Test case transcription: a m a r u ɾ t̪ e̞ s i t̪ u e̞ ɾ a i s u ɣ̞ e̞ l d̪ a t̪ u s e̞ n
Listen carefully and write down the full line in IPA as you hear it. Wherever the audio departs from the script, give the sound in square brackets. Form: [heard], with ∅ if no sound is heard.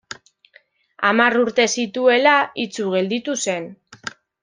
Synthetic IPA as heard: a m a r u ɾ t̪ e̞ s i t̪ u e̞ [l] a i [t͡s] u ɣ̞ e̞ l d̪ [i] t̪ u s e̞ n